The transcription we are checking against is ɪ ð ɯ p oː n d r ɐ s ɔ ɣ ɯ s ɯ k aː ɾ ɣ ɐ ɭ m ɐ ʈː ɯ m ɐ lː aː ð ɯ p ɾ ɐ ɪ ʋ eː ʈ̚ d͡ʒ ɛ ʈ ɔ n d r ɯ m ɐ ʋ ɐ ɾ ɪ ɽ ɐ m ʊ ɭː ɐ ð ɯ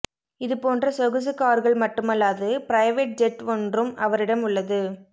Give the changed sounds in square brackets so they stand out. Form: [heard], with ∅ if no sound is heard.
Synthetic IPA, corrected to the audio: ɪ ð ɯ p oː n d r ɐ s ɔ ɣ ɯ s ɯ k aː ɾ ɣ ɐ ɭ m ɐ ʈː ɯ m ɐ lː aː ð ɯ p ɾ ɐ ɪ ʋ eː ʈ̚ d͡ʒ ɛ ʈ ɔ n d r ɯ m ɐ ʋ ɐ ɾ ɪ ɽ ɐ m ʊ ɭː ɐ ð ɯ